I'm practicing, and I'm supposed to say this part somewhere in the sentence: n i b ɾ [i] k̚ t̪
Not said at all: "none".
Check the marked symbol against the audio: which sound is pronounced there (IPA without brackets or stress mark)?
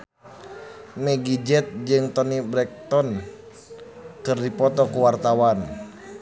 ɛ